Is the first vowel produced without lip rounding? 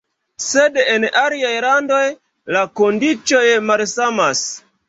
yes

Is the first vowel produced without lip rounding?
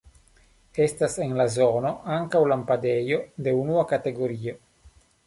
yes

